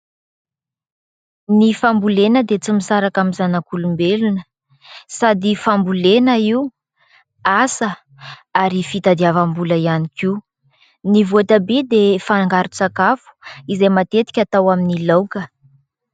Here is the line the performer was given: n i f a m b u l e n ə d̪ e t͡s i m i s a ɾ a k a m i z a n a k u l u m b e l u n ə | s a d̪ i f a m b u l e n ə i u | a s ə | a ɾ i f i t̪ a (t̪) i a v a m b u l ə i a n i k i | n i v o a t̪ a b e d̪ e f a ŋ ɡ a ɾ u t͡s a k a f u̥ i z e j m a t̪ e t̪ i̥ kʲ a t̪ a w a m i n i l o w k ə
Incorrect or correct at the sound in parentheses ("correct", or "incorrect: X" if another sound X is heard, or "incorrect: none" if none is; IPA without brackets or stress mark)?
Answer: incorrect: d̪